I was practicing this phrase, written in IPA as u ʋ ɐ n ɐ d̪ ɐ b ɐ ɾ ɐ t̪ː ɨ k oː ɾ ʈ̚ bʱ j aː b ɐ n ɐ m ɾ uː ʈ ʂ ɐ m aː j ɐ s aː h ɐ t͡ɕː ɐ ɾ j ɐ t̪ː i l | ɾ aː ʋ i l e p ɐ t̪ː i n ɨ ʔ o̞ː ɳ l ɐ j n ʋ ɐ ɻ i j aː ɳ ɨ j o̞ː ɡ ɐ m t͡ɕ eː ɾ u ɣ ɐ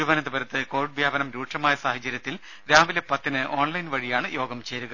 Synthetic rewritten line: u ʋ ɐ n ɐ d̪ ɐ b ɐ ɾ ɐ t̪ː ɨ k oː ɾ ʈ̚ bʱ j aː b ɐ n ɐ m ɾ uː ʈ ʂ ɐ m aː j ɐ s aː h ɐ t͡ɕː ɐ ɾ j ɐ t̪ː i l | ɾ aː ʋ i l e p ɐ t̪ː i n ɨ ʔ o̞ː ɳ l ɐ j n ʋ ɐ ɻ i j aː ɳ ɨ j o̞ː ɡ ɐ m t͡ɕ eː ɾ u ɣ ɐ